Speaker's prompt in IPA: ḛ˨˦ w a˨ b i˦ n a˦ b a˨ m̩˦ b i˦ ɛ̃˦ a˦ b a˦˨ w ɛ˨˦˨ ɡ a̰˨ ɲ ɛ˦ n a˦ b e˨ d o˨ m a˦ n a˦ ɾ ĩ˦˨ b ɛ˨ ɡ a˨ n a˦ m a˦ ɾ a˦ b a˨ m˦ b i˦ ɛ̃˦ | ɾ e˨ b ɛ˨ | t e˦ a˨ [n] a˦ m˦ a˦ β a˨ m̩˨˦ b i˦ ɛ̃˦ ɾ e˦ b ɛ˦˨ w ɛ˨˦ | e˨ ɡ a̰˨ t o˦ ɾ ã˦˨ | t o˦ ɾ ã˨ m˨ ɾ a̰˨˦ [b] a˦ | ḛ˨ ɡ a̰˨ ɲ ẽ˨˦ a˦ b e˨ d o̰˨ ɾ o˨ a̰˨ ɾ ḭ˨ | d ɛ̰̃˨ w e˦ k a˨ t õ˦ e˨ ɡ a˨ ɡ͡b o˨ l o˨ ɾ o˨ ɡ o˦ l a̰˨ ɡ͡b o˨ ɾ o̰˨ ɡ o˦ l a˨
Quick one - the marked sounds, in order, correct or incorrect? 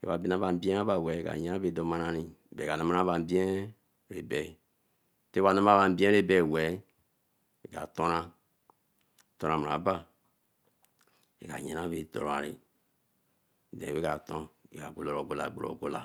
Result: correct, correct

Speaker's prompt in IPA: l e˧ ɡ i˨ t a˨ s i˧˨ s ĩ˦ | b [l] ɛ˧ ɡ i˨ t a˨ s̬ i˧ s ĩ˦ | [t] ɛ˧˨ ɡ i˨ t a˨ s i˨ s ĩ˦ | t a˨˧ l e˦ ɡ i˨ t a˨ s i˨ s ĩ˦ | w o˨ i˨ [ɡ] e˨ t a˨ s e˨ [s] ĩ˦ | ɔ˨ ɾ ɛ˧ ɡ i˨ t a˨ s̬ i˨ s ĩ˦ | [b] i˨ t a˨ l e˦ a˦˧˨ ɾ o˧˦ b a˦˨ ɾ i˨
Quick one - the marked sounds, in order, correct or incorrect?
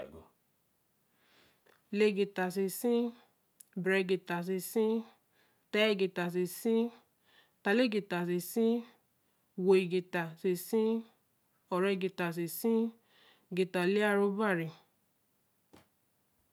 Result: incorrect: ɾ, correct, correct, correct, incorrect: ɡ

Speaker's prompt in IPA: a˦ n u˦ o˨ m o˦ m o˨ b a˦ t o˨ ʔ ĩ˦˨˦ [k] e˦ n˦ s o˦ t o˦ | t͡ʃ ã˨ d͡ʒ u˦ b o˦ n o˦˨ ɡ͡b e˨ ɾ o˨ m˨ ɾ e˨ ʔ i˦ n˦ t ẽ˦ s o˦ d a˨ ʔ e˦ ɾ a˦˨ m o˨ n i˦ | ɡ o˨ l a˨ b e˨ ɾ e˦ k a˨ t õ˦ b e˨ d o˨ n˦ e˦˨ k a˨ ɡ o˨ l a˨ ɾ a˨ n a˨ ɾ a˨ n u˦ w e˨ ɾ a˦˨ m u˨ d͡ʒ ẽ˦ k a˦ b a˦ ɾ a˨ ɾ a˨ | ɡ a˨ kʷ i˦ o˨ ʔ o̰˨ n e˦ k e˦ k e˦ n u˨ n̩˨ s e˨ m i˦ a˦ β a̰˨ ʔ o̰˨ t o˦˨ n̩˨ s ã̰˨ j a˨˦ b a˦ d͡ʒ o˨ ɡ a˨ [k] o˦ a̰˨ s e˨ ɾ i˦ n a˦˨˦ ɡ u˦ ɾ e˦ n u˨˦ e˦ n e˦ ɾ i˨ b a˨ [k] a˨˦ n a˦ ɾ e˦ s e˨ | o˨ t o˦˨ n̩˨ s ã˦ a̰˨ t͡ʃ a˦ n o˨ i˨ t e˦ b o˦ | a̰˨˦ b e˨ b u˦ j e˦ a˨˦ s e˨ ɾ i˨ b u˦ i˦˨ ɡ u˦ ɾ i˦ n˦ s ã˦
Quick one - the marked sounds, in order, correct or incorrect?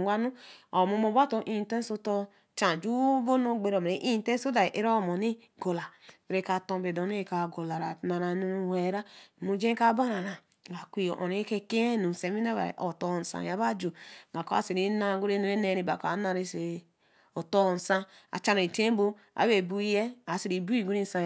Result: incorrect: t, correct, correct

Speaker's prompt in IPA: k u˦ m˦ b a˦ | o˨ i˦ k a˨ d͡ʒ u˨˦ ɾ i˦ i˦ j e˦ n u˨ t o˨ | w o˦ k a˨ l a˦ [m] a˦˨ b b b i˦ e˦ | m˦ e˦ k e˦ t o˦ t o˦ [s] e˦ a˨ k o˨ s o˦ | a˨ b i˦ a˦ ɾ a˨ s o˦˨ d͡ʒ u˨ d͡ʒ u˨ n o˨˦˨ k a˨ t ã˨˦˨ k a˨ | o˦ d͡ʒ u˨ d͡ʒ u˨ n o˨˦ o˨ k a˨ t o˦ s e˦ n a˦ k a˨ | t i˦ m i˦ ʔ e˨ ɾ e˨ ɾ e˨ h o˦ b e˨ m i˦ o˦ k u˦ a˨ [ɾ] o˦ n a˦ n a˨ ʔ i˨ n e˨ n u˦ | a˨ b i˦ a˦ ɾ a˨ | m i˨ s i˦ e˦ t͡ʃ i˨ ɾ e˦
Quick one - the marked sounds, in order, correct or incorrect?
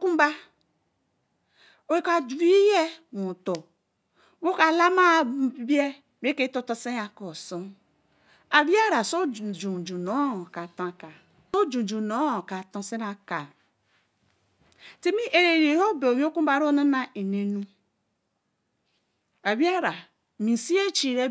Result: correct, correct, correct

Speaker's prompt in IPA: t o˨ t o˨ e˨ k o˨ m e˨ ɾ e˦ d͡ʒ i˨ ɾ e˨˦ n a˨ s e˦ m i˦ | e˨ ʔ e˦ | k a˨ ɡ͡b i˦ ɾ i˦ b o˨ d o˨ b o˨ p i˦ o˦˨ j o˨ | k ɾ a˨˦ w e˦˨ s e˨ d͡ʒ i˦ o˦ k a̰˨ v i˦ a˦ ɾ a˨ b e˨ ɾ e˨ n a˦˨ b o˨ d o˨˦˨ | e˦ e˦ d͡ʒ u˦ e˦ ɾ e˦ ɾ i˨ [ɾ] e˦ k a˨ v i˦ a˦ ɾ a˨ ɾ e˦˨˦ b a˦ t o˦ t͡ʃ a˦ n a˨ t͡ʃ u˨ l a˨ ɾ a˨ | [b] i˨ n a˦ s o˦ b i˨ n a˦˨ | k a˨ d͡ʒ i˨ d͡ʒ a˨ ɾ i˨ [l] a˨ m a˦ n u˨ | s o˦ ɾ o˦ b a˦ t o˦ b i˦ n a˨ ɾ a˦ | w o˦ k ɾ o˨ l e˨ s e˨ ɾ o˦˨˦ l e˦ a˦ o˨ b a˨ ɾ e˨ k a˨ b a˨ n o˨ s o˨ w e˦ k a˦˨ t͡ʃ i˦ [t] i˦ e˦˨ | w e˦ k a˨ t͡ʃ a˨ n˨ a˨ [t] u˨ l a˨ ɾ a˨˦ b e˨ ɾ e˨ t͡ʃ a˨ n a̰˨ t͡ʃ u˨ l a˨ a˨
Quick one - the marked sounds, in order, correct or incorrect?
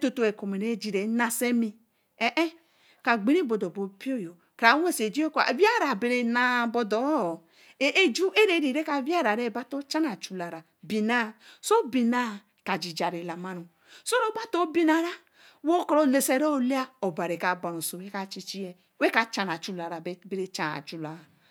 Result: correct, correct, correct, incorrect: t͡ʃ, incorrect: t͡ʃ

